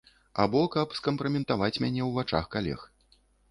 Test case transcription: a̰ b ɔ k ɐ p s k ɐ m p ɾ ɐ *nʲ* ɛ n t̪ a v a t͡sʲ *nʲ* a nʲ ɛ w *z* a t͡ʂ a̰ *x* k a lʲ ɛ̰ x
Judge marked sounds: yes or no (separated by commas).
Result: no, no, no, yes